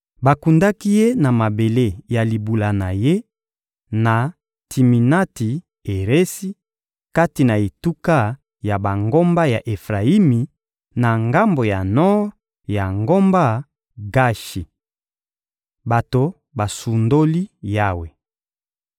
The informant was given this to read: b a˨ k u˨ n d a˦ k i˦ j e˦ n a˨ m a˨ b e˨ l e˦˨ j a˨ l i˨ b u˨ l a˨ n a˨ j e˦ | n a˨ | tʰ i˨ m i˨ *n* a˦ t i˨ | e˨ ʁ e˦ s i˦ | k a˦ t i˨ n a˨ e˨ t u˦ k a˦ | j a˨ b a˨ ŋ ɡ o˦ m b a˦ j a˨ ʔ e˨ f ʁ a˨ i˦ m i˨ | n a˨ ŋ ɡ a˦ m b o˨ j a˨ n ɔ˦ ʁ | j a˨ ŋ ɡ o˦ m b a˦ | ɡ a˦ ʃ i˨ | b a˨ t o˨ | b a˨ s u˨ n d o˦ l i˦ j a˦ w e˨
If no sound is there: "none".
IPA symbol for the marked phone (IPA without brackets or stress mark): n